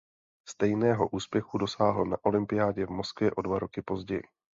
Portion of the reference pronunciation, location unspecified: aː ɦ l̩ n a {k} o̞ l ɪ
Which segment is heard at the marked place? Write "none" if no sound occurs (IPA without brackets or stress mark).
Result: ʔ